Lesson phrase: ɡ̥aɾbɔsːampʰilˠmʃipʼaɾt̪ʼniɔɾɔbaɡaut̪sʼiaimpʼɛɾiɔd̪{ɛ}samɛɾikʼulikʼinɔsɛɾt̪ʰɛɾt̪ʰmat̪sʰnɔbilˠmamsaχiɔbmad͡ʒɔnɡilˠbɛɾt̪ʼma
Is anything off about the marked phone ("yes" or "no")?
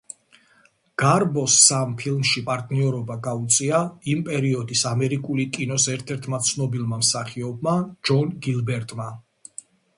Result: yes